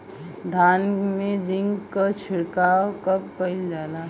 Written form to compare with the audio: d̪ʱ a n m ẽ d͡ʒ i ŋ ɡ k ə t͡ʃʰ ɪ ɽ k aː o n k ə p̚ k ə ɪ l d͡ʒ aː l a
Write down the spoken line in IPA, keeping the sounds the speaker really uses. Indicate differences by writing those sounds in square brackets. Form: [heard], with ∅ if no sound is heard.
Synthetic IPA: d̪ʱ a n m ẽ d͡ʒ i ŋ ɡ k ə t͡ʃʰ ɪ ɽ k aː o [∅] k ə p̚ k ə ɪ l d͡ʒ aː l a